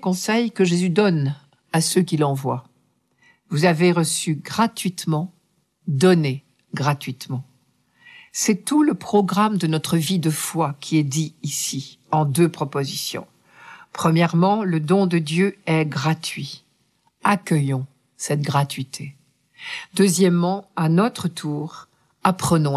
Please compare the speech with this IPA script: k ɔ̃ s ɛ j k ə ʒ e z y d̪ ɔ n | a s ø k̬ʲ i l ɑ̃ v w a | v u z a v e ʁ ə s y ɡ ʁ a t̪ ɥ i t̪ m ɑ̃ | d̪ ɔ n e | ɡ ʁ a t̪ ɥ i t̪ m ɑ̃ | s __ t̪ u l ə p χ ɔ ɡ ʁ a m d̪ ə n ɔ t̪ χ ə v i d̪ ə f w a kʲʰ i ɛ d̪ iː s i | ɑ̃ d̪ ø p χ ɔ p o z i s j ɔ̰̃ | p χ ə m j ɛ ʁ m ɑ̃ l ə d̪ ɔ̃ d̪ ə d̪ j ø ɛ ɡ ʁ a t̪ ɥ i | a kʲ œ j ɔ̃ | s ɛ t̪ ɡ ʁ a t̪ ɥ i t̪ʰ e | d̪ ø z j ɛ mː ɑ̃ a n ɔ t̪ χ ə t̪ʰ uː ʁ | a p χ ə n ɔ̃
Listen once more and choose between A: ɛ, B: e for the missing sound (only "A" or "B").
A